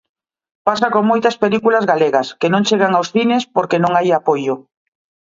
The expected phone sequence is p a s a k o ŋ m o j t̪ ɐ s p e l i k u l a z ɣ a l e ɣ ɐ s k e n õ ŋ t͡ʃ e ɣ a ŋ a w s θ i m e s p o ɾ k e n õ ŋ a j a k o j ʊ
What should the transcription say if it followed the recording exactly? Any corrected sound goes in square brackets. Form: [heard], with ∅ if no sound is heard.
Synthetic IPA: p a s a k o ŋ m o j t̪ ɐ s p e l i k u l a z ɣ a l e ɣ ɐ s k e n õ ŋ t͡ʃ e ɣ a ŋ a w s θ i [n] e s p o ɾ k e n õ ŋ a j a [p] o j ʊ